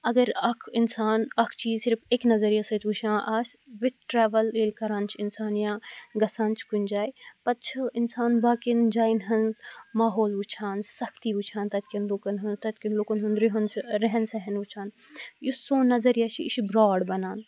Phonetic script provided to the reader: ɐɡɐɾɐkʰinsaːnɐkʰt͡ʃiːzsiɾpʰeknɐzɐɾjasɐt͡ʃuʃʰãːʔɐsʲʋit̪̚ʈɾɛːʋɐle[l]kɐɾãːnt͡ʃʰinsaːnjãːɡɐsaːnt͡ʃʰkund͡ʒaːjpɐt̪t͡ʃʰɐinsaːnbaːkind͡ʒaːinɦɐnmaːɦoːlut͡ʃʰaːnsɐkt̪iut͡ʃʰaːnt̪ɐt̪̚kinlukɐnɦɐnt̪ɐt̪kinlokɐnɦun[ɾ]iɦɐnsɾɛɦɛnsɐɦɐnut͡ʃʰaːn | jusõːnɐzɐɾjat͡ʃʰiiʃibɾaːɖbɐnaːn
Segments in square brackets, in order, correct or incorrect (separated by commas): correct, correct